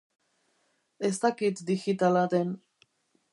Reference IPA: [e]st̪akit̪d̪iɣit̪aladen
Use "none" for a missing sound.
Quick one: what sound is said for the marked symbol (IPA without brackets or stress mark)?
e